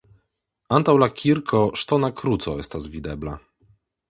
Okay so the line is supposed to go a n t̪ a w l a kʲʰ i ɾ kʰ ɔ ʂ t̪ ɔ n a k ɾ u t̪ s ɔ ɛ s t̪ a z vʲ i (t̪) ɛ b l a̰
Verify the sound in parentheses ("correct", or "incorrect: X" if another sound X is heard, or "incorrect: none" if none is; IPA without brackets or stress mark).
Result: incorrect: d̪